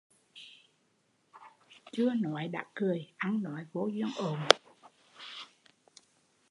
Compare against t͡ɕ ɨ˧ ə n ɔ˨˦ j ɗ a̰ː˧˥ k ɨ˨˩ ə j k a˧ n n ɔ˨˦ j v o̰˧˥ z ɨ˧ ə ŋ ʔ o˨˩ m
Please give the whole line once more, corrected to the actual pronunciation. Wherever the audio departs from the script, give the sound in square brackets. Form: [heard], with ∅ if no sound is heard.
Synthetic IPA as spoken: t͡ɕ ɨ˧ ə n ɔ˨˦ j ɗ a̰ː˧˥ k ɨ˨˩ ə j [ʔ] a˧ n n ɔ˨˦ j v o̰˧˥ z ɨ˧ ə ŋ ʔ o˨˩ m